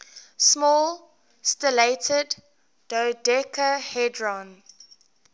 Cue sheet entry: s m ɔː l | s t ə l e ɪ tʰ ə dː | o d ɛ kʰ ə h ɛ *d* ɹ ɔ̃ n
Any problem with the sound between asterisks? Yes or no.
no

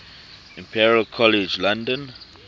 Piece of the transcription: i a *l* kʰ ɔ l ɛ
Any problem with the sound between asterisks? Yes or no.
no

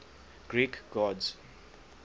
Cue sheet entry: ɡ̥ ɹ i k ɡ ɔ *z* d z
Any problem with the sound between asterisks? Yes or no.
yes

